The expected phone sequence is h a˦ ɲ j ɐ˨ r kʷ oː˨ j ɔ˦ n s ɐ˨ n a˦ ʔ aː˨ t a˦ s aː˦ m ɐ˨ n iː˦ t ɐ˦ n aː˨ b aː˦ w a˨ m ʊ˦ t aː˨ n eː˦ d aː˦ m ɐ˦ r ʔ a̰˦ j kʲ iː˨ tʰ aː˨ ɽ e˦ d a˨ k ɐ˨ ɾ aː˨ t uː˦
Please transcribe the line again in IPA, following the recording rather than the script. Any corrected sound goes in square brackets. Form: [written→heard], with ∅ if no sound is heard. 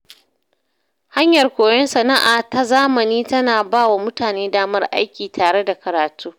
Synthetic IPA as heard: h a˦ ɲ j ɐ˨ r kʷ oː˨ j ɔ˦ n s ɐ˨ n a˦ ʔ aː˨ t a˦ [s→z] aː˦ m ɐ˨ n iː˦ t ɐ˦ n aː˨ b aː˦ w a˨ m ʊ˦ t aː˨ n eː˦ d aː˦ m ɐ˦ r ʔ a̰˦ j kʲ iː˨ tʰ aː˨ ɽ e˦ d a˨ k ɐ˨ ɾ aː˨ t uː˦